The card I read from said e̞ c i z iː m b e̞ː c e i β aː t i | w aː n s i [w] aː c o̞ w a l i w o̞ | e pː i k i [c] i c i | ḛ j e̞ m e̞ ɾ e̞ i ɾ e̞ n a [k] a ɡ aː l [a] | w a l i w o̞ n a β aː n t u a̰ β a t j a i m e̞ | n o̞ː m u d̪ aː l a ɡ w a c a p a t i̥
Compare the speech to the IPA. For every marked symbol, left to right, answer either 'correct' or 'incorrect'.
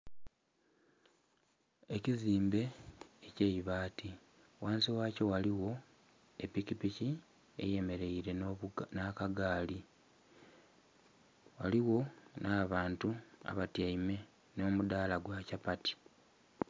correct, incorrect, correct, incorrect

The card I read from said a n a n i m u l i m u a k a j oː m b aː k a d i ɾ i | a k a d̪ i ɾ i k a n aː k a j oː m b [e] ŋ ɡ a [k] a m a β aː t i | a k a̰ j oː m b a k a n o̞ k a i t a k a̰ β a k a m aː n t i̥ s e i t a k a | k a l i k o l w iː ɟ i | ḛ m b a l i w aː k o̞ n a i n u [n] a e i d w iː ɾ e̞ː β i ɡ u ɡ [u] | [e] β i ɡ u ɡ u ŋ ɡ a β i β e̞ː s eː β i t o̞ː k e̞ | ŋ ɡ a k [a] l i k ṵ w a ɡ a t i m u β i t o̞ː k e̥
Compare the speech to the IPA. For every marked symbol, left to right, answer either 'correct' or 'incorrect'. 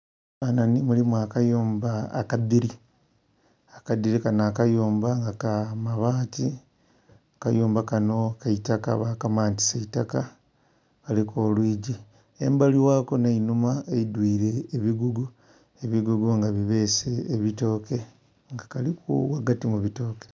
incorrect, correct, incorrect, correct, correct, correct

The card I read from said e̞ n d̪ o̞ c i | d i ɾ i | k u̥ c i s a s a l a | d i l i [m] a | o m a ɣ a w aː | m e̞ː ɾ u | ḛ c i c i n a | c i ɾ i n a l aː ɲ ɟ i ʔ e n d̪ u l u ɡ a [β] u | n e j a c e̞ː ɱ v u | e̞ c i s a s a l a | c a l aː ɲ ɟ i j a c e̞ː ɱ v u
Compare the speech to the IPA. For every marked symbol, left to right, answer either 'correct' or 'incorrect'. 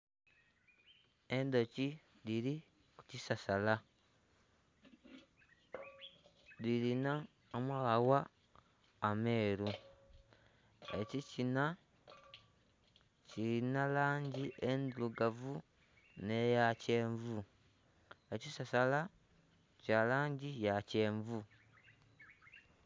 incorrect, incorrect

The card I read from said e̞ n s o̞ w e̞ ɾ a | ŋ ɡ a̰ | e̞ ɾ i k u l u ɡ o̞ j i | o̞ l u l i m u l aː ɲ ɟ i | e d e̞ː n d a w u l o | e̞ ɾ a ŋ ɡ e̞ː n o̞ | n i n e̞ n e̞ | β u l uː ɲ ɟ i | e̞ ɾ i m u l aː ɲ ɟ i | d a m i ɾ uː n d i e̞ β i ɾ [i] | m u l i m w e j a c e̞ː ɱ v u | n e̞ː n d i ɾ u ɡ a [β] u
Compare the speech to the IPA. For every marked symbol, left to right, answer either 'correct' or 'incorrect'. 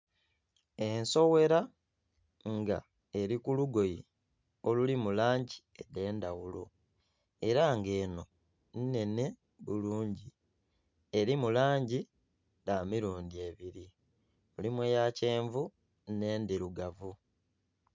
correct, incorrect

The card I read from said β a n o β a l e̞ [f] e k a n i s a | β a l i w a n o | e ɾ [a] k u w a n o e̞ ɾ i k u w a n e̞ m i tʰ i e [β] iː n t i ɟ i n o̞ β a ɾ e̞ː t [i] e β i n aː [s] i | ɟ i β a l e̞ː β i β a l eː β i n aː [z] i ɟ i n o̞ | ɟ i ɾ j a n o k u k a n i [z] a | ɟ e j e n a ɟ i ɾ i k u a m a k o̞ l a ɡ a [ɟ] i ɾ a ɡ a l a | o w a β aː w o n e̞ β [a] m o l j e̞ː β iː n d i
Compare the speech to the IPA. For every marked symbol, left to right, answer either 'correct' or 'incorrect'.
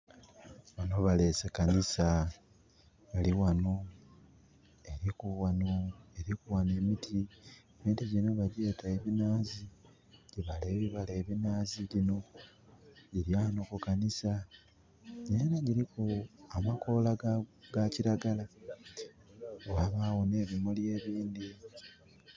incorrect, incorrect, correct, incorrect, incorrect, correct, incorrect, incorrect, incorrect

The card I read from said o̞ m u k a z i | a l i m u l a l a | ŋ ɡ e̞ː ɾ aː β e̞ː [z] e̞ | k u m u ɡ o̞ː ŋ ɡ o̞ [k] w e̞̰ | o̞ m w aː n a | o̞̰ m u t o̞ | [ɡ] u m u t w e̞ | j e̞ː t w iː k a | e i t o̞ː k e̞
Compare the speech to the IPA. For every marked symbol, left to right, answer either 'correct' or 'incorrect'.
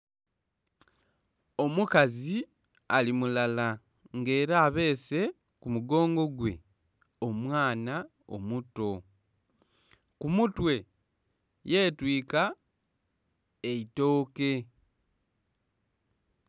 incorrect, incorrect, incorrect

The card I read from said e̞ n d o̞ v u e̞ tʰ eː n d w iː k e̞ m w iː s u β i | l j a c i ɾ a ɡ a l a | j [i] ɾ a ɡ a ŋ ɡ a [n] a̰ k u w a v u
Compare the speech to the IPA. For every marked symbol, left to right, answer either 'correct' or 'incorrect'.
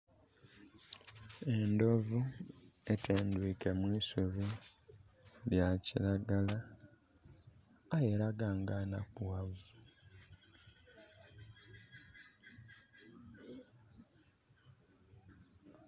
incorrect, correct

